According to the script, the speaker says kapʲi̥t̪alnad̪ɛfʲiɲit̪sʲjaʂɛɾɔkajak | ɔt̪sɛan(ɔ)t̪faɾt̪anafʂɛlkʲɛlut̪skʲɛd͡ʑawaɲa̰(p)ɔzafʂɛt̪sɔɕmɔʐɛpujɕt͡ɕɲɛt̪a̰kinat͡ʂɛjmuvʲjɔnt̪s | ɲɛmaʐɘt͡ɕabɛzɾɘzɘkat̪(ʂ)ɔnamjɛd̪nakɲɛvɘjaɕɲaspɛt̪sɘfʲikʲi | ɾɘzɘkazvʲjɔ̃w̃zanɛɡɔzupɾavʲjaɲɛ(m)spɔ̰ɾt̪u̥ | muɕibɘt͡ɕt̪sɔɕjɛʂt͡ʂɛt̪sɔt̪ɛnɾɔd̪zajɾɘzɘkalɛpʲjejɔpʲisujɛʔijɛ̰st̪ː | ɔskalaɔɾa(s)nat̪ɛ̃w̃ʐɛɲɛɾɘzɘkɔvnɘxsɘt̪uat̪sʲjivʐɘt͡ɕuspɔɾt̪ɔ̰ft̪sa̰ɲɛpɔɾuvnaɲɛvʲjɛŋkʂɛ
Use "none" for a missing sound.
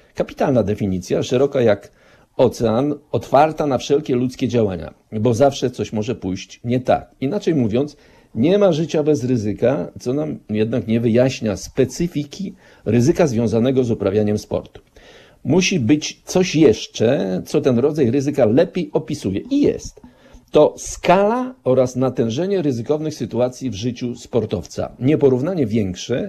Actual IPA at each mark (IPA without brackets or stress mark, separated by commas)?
ɔ, b, s, m, s